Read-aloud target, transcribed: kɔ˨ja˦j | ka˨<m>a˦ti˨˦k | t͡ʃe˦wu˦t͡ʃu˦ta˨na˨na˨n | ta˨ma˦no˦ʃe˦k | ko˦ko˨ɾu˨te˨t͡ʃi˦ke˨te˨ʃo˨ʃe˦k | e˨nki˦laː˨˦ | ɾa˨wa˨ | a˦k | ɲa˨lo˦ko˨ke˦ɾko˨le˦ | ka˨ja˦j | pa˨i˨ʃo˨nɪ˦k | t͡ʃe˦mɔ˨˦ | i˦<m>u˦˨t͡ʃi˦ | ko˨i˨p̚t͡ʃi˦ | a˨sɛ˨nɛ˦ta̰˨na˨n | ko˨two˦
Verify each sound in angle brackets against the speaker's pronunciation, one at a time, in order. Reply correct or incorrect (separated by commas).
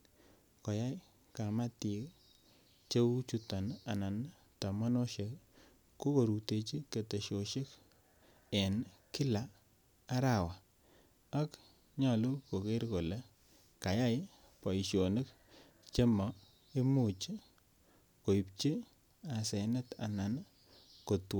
correct, correct